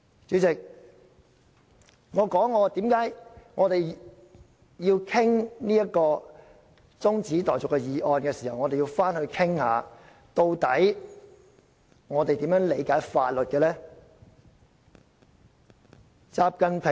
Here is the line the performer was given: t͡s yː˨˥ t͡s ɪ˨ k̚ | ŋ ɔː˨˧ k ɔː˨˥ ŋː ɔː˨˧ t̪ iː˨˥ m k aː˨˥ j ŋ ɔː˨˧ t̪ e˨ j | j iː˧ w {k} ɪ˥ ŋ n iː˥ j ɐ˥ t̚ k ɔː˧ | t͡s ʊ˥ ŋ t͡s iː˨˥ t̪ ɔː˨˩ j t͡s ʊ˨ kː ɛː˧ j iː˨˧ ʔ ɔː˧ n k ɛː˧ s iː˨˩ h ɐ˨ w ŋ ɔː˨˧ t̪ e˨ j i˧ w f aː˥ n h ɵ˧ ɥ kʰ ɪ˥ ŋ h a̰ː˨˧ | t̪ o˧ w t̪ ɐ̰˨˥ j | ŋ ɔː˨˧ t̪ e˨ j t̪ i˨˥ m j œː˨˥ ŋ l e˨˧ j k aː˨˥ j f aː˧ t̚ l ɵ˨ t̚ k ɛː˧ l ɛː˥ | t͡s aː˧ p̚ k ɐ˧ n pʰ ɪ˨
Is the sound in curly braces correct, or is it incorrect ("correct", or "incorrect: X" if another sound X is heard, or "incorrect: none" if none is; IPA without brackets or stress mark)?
incorrect: kʰ